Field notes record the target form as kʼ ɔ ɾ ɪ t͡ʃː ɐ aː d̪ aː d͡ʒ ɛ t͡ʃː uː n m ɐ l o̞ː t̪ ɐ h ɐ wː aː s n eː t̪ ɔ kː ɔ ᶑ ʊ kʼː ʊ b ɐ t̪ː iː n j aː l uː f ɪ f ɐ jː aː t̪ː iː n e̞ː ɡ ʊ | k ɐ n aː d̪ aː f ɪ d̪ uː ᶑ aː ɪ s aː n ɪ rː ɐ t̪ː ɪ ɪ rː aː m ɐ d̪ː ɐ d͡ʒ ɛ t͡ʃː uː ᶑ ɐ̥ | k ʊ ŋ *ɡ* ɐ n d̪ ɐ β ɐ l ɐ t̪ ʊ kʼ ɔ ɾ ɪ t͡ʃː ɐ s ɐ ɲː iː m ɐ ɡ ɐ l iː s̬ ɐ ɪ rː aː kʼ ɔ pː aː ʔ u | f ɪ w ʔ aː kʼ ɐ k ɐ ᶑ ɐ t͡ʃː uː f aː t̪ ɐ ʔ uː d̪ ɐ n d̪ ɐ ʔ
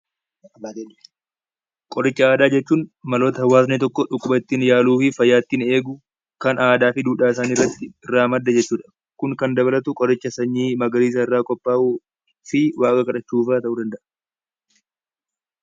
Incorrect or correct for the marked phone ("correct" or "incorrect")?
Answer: incorrect